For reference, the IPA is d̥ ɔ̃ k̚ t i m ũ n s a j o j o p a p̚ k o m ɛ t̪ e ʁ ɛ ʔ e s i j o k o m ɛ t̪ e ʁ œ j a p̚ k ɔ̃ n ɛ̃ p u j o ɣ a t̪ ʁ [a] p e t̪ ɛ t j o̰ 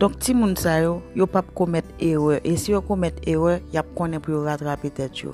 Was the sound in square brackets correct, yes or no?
yes